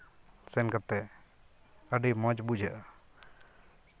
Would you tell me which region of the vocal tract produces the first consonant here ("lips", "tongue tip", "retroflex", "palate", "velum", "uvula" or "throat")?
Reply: tongue tip